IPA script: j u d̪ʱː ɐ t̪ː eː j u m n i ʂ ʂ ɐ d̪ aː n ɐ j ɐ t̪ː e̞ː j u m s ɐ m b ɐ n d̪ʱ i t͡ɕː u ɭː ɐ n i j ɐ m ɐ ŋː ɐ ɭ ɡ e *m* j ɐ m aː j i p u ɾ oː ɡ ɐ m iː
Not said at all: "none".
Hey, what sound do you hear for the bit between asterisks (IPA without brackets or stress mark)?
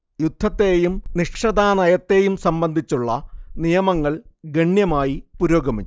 ɳ